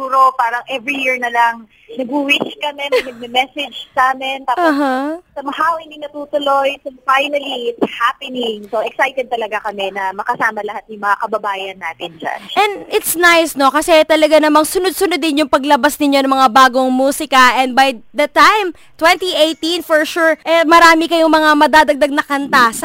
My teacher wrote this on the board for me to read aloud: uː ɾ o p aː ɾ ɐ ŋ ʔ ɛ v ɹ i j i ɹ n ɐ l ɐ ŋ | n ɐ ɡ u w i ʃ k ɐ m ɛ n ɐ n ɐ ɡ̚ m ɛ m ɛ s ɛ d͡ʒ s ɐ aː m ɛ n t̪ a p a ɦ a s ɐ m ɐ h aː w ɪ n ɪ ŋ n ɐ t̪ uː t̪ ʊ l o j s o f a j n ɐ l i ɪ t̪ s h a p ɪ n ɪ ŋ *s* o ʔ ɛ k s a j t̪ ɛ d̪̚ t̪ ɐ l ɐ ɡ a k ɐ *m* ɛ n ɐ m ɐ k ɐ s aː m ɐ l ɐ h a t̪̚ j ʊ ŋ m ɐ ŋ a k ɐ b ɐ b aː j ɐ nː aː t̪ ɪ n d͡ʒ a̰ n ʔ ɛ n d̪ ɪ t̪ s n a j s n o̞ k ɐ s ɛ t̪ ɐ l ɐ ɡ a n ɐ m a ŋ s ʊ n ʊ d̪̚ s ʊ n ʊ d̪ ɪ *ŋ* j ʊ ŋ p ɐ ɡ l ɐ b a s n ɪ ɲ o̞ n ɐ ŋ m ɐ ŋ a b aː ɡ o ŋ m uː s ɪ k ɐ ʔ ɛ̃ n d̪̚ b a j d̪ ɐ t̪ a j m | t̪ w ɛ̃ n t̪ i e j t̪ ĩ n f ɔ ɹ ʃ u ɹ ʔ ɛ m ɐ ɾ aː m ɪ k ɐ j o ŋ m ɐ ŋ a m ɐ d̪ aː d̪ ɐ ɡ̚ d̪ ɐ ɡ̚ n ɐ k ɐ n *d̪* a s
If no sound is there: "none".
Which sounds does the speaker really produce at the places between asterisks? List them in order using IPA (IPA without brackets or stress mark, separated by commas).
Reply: s, m, n, t̪